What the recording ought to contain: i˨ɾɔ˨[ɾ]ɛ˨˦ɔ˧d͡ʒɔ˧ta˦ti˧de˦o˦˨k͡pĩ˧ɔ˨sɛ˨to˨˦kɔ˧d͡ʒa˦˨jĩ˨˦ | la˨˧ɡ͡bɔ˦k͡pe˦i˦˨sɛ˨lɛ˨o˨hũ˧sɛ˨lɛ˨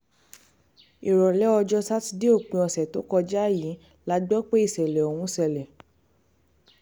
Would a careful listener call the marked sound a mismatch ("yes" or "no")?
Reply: yes